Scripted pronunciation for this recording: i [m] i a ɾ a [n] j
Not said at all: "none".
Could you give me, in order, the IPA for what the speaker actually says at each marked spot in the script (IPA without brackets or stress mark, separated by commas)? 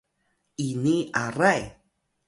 n, none